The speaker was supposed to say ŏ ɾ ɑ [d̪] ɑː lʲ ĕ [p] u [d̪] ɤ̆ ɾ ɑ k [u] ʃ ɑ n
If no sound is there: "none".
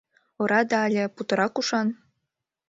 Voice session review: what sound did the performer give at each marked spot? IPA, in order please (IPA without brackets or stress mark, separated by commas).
d̪, p, t̪, u